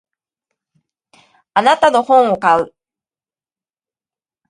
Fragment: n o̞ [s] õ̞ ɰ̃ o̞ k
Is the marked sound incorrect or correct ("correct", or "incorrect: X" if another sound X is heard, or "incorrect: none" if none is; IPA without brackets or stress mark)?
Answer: incorrect: h